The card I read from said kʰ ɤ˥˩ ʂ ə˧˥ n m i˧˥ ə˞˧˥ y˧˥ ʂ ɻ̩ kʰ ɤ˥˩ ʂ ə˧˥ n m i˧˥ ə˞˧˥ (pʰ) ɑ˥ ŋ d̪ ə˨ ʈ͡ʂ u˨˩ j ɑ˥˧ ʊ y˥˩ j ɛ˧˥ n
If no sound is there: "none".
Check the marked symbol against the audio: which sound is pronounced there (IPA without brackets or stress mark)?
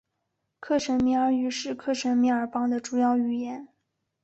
p